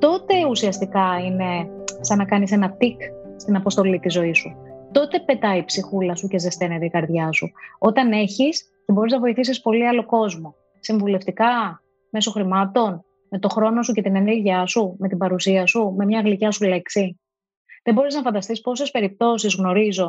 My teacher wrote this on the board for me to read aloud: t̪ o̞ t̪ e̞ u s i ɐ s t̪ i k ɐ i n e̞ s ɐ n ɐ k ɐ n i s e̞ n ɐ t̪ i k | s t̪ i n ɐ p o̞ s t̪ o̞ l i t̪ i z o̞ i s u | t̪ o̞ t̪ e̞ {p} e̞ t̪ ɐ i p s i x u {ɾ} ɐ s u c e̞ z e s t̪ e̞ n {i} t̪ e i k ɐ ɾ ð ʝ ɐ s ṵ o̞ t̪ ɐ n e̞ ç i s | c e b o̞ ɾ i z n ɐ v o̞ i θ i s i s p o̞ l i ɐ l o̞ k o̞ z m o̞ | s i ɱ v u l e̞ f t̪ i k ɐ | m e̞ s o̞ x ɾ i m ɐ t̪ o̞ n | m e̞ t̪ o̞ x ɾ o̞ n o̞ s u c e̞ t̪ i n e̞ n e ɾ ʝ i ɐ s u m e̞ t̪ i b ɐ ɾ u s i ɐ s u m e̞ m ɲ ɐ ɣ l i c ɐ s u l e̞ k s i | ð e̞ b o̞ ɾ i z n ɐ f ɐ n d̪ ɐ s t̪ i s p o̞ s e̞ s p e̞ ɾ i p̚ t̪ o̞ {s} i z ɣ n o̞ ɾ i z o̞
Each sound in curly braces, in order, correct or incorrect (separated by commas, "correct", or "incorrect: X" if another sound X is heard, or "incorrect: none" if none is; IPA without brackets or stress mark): correct, incorrect: l, incorrect: e, correct